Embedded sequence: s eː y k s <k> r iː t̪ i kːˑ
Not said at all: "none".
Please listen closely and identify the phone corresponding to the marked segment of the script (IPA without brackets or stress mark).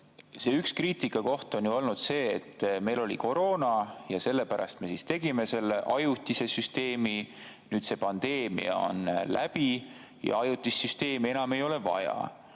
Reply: k